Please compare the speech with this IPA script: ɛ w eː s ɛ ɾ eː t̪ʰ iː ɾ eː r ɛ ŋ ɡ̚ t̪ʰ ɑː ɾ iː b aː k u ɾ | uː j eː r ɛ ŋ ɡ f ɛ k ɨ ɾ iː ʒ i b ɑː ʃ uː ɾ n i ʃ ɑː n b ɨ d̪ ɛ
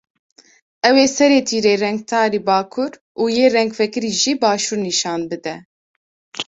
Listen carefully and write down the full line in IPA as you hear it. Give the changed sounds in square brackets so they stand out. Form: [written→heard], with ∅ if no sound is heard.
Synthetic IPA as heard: ɛ w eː s ɛ ɾ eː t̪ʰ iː ɾ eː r ɛ ŋ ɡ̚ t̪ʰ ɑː ɾ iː b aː [k→kʰ] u ɾ | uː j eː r ɛ ŋ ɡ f ɛ k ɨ ɾ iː ʒ i b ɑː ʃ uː ɾ n i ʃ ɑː n b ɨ d̪ ɛ

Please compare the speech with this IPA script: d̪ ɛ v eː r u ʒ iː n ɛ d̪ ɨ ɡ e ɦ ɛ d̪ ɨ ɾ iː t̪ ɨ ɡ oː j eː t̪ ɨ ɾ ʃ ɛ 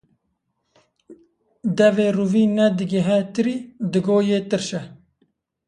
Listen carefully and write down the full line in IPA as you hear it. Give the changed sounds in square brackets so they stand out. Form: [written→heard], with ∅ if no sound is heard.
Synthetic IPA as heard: d̪ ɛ v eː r u [ʒ→v] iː n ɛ d̪ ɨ ɡ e ɦ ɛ [d̪→t̪] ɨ ɾ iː [t̪→d̪] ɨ ɡ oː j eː t̪ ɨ ɾ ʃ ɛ

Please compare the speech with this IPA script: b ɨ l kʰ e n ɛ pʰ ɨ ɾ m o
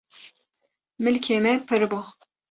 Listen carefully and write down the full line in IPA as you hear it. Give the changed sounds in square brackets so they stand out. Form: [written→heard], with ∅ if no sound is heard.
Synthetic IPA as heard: [b→m] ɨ l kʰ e [n→m] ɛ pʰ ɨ ɾ [m→b] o

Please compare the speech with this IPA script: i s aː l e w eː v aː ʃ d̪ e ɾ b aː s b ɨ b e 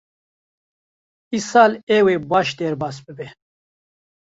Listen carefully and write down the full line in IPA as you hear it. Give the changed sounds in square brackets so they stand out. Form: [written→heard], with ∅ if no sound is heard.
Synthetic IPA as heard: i s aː l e w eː [v→b] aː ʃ d̪ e ɾ b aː s b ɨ b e

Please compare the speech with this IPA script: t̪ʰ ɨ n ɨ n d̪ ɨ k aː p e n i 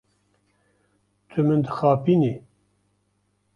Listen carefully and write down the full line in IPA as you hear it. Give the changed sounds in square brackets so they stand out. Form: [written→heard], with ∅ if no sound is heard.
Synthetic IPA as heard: t̪ʰ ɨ [n→m] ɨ n d̪ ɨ [k→x] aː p [e→i] n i

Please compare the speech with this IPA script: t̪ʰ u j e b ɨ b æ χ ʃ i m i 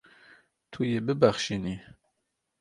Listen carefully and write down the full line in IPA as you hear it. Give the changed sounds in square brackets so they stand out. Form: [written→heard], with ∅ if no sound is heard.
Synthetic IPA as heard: t̪ʰ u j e b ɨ b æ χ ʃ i [m→n] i

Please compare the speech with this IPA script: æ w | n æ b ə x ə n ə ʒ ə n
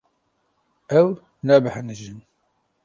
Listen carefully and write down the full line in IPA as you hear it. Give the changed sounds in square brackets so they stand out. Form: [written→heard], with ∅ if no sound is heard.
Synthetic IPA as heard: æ w | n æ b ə [x→ħ] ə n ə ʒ ə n

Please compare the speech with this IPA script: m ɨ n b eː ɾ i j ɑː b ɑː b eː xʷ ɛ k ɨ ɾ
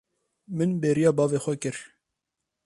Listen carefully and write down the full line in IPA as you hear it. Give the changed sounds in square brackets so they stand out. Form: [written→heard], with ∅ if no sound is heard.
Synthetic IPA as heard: m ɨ n b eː ɾ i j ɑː b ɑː [b→v] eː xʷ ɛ k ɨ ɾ

